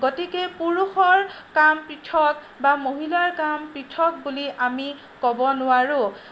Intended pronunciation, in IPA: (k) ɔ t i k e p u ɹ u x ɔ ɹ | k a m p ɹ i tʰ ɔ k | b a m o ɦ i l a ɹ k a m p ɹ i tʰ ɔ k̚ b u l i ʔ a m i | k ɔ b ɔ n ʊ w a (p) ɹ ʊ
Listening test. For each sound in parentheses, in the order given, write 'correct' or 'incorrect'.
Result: incorrect: ɡ, incorrect: none

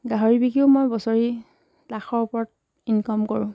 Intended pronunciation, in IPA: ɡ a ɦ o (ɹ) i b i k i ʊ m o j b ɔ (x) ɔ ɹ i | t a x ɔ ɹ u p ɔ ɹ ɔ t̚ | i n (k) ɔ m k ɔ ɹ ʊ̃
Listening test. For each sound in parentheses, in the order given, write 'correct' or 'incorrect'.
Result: correct, incorrect: s, correct

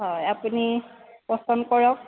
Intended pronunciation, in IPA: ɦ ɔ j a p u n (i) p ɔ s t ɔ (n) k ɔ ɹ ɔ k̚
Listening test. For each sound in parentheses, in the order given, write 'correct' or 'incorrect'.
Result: correct, correct

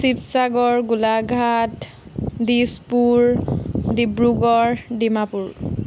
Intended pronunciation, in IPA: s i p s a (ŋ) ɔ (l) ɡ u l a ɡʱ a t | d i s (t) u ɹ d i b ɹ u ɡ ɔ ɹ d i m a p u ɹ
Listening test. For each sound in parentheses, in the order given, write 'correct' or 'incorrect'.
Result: incorrect: ɡ, incorrect: ɹ, incorrect: p

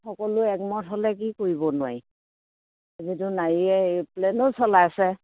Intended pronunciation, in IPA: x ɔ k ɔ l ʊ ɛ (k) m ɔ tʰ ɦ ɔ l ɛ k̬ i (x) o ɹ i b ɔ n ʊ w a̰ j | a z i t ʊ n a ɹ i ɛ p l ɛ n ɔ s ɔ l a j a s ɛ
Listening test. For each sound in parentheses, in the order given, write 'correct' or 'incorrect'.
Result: correct, incorrect: k

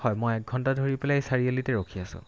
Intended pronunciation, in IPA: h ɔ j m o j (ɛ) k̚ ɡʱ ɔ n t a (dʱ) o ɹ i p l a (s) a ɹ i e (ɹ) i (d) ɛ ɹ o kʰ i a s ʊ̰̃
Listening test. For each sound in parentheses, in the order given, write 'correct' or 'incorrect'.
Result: correct, correct, correct, incorrect: l, incorrect: t

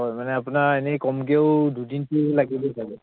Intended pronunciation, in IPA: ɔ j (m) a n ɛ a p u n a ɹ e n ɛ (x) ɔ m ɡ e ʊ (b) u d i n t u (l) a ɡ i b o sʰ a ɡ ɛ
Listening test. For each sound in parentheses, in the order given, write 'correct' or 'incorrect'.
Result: correct, incorrect: k, incorrect: d, correct

